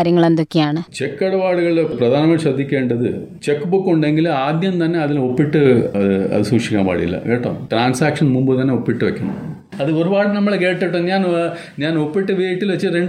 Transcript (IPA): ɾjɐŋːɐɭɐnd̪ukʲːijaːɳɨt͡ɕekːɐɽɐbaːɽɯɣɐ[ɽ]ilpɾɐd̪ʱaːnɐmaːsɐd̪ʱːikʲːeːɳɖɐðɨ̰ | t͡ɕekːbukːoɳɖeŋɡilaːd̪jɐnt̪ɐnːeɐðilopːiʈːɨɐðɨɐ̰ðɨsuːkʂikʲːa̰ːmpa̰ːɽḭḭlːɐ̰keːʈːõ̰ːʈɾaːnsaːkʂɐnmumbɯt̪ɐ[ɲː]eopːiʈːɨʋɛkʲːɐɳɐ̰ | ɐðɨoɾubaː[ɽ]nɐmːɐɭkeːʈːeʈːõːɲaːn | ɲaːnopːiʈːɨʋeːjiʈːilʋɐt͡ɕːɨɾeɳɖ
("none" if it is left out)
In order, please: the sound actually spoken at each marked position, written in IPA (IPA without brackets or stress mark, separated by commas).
ɭ, nː, ɽ